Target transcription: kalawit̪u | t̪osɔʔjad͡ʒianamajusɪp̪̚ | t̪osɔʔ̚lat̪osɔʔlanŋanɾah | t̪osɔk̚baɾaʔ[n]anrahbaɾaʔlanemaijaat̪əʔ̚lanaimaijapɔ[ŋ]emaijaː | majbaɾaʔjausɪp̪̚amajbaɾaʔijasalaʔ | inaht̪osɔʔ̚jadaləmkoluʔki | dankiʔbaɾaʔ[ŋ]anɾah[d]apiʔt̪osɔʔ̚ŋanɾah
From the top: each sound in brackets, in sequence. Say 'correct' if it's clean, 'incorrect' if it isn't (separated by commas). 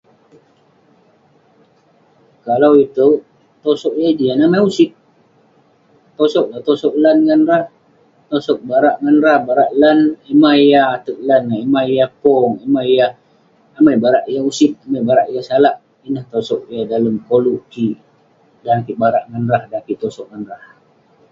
incorrect, correct, correct, correct